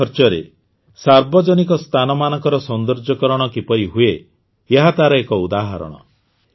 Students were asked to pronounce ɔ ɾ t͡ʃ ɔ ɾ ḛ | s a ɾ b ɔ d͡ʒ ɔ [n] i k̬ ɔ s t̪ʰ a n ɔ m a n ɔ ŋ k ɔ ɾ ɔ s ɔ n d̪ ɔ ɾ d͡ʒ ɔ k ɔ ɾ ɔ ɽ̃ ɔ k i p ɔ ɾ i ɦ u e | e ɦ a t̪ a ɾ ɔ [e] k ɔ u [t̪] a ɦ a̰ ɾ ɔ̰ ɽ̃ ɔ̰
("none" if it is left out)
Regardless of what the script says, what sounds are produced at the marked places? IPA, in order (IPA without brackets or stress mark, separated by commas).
n, e, d̪